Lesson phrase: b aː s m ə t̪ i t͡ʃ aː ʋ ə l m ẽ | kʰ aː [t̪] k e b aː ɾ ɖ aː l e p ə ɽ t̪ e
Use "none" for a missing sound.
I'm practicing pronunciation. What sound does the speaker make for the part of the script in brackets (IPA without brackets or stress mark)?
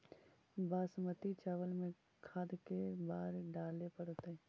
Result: d̪